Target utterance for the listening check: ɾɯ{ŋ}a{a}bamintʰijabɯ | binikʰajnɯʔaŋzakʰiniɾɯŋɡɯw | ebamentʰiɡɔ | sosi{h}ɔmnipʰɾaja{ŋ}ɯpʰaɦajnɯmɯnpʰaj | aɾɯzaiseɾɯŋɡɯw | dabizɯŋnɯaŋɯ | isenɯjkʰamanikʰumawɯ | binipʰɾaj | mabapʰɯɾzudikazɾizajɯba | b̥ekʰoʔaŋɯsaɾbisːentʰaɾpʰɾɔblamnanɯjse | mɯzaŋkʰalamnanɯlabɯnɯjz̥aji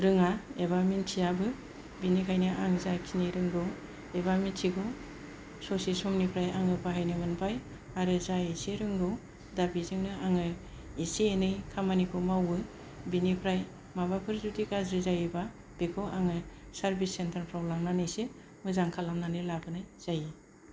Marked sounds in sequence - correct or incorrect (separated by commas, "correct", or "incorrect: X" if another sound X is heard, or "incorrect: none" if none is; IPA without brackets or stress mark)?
correct, incorrect: e, incorrect: s, correct